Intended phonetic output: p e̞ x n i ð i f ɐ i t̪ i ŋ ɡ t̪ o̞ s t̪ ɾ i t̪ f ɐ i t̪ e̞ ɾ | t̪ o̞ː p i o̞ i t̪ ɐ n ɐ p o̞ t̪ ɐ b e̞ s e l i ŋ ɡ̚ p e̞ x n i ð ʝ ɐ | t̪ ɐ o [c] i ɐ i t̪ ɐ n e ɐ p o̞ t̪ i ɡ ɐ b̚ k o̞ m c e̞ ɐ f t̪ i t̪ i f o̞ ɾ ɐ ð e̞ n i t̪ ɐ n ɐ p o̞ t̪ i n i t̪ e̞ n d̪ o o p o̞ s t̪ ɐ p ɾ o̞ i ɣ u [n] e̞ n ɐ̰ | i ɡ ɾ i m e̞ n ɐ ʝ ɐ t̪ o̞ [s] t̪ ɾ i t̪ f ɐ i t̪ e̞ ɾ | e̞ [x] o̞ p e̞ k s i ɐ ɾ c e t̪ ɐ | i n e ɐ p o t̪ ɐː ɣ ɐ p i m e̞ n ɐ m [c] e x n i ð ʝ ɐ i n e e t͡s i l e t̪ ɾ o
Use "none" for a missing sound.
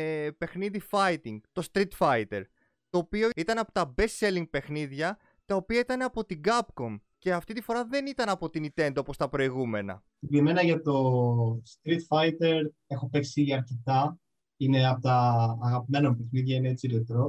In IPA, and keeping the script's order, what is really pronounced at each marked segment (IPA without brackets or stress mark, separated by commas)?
p, m, s, x, p